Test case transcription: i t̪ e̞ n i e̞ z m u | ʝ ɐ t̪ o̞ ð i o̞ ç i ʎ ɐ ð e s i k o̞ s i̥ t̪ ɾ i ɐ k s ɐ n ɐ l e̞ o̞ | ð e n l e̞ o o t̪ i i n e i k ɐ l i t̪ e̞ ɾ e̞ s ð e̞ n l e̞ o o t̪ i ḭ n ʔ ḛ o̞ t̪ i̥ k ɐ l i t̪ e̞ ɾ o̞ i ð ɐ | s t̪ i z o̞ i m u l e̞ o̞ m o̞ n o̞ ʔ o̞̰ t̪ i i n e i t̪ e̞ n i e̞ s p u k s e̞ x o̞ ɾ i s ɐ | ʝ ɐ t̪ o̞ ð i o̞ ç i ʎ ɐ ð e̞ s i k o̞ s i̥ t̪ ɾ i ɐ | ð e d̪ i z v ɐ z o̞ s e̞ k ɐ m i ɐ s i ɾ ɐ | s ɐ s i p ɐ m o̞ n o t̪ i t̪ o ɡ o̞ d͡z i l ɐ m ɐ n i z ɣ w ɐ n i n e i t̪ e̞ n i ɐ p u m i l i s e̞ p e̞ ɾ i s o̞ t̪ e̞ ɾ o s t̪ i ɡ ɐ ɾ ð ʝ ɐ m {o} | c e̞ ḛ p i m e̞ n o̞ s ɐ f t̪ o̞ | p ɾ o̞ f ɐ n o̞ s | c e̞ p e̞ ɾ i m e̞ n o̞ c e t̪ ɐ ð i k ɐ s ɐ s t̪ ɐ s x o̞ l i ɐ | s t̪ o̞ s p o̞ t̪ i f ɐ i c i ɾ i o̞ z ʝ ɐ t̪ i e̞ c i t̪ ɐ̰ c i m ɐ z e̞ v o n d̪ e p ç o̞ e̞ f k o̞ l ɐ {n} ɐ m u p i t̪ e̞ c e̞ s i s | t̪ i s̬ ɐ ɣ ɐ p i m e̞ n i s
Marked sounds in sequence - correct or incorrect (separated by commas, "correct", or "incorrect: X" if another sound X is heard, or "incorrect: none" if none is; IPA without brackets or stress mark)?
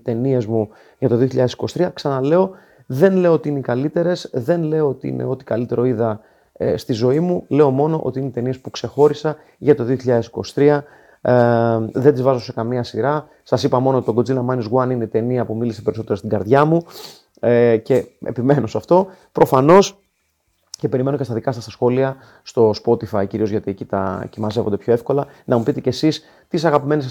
incorrect: u, correct